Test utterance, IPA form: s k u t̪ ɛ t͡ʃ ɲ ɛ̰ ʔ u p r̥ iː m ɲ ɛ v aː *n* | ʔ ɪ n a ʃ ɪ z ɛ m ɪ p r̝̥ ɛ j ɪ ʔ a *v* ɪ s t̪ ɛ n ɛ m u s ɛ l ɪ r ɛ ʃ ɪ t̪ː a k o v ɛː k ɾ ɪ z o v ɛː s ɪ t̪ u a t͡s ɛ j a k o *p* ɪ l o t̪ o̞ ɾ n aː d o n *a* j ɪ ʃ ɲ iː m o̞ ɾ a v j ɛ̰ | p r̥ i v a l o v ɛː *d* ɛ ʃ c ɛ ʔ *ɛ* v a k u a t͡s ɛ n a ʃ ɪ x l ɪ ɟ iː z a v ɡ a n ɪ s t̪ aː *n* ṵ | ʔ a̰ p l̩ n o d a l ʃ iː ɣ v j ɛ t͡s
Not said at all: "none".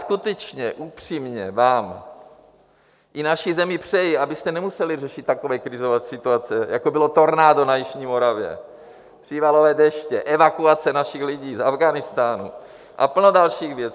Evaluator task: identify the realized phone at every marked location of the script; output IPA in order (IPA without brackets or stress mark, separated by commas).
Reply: m, b, b, a, d, ɛ, n